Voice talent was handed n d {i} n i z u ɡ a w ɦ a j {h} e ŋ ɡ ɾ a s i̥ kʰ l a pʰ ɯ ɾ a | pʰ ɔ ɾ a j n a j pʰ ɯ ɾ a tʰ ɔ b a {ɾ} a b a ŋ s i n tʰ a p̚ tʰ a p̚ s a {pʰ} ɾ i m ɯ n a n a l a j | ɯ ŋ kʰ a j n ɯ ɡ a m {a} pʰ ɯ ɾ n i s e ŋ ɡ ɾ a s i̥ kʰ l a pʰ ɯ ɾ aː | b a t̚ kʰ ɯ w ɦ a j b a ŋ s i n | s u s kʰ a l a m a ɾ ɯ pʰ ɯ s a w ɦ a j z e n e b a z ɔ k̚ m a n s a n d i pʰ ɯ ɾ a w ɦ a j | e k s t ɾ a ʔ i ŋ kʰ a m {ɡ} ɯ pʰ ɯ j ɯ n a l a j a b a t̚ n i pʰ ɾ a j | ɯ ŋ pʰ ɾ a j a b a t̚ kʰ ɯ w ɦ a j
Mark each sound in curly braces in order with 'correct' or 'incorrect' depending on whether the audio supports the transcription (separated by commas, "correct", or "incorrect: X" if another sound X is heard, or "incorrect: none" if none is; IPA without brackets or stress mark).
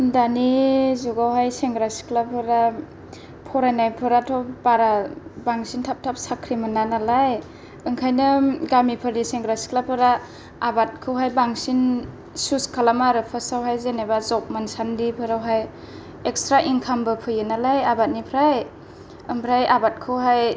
incorrect: a, incorrect: s, correct, incorrect: kʰ, incorrect: i, incorrect: b